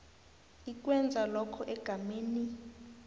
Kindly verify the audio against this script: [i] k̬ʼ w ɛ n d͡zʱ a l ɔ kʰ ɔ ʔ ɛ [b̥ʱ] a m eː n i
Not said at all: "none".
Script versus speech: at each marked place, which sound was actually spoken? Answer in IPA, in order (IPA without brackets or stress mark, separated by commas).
i, ɡ̥ʱ